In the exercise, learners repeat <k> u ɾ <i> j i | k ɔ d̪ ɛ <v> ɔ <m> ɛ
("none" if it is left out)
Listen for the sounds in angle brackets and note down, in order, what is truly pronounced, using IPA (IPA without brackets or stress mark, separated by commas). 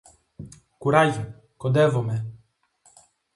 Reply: k, a, v, m